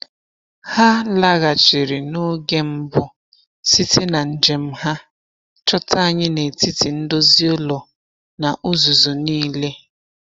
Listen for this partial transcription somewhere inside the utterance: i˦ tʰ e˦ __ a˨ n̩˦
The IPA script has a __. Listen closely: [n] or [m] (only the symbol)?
n